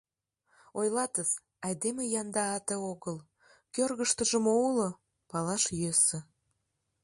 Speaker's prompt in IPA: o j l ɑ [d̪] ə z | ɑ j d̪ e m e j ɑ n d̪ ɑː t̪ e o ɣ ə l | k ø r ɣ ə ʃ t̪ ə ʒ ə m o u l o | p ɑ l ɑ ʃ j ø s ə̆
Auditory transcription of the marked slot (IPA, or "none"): t̪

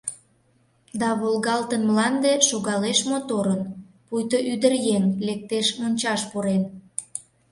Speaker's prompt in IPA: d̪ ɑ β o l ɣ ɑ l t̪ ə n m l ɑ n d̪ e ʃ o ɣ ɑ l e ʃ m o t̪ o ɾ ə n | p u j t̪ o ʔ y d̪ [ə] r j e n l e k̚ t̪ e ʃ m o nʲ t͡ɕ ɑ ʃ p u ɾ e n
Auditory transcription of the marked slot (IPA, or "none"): ə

